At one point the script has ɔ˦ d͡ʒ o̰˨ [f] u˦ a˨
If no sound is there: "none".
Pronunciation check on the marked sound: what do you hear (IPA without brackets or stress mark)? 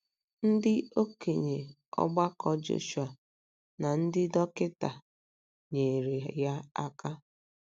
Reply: ʃ